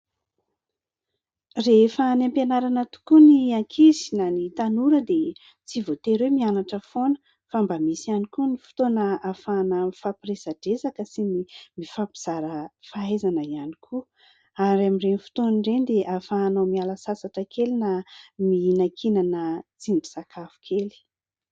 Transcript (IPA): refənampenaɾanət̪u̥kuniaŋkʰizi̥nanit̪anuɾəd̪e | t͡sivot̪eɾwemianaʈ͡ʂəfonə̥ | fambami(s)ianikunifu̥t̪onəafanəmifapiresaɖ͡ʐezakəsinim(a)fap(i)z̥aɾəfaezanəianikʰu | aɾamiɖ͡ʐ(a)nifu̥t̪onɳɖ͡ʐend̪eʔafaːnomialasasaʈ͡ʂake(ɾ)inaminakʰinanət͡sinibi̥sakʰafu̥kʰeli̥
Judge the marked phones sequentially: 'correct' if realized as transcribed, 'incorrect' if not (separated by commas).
correct, incorrect, correct, incorrect, incorrect